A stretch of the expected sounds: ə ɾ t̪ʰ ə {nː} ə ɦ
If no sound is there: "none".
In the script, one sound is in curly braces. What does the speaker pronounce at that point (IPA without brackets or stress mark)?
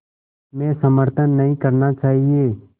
nː